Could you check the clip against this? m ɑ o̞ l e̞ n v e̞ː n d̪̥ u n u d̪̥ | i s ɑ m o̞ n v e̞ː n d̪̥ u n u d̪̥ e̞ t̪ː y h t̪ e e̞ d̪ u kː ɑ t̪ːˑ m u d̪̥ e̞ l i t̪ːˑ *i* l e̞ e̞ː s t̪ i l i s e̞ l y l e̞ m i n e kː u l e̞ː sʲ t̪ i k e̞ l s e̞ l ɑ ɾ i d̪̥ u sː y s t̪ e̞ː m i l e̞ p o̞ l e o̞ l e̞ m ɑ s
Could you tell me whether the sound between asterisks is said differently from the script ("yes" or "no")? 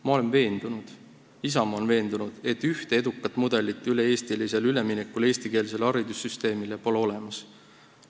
yes